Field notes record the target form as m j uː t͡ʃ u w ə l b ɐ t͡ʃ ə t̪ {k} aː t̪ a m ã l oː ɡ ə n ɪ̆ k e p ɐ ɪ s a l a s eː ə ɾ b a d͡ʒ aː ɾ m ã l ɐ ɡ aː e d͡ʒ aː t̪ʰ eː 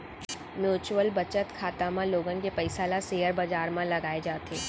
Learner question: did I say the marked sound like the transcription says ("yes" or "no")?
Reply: no